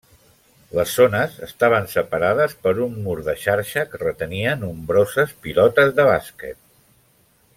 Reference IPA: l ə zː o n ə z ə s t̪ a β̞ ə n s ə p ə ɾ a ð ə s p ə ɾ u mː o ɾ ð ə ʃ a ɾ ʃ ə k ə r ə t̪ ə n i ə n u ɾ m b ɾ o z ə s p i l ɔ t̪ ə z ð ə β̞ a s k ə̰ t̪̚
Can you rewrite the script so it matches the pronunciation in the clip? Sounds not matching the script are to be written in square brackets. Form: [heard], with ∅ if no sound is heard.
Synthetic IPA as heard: l ə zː o n ə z ə s t̪ a β̞ ə n s ə p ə ɾ a ð ə s p ə ɾ u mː [u] ɾ ð ə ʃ a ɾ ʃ ə k ə r ə t̪ ə n i ə n u [∅] m b ɾ o z ə s p i l ɔ t̪ ə z ð ə β̞ a s k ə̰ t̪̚